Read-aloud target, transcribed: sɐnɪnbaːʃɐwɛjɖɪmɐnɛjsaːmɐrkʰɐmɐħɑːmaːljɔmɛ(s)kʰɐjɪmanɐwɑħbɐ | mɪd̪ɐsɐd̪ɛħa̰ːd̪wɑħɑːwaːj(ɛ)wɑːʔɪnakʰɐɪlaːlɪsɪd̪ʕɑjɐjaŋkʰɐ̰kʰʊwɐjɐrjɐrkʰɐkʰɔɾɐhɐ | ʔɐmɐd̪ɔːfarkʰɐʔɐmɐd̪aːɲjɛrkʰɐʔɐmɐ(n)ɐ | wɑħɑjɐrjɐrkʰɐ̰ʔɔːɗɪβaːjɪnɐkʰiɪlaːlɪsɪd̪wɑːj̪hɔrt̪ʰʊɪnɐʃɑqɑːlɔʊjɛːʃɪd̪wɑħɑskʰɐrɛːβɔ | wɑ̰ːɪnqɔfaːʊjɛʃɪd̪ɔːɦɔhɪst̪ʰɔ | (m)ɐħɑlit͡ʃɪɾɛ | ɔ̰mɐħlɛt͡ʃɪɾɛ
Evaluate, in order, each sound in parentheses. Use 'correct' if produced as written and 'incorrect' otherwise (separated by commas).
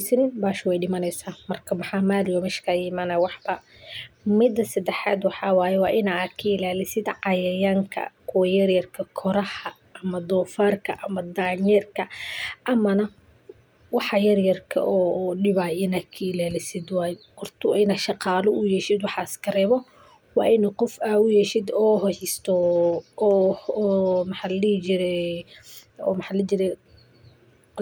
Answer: incorrect, correct, correct, correct